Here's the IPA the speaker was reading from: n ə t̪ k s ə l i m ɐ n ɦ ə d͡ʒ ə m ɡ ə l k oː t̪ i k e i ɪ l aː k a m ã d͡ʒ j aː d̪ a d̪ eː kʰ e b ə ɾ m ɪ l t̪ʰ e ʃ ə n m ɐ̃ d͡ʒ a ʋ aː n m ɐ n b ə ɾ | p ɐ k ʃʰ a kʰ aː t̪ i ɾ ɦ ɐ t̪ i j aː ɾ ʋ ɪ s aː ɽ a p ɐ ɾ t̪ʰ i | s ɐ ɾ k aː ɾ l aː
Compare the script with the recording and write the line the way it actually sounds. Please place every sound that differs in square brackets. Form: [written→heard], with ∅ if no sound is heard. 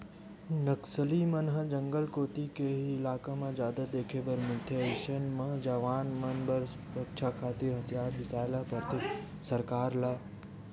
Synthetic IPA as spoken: n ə [t̪→∅] k s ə l i m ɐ n ɦ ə d͡ʒ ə [m→ŋ] ɡ ə l k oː t̪ i k e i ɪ l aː k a m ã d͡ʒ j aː d̪ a d̪ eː kʰ e b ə ɾ m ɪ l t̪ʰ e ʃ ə n m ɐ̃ d͡ʒ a ʋ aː n m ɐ n b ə ɾ | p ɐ k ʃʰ a kʰ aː t̪ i ɾ ɦ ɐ t̪ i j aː ɾ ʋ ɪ s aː [ɽ→l] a p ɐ ɾ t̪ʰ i | s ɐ ɾ k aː ɾ l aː